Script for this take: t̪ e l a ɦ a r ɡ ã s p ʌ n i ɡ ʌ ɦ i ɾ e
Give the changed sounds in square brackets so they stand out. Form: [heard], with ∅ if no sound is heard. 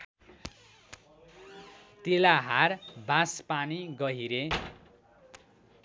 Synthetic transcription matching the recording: t̪ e l a ɦ a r [b] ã s p [a] n i ɡ ʌ ɦ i ɾ e